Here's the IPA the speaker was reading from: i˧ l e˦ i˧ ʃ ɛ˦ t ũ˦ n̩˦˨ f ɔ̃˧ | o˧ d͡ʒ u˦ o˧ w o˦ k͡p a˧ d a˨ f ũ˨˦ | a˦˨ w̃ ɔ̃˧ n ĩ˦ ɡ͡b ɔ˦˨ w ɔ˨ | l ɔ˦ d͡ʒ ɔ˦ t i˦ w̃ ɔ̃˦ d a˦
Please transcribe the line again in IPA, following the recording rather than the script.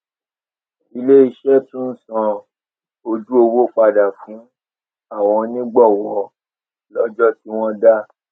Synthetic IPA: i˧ l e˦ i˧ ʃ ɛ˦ t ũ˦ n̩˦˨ s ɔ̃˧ | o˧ d͡ʒ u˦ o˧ w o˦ k͡p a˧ d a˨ f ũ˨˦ | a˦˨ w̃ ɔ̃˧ n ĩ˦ ɡ͡b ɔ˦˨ w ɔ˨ | l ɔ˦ d͡ʒ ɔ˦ t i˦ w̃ ɔ̃˦ d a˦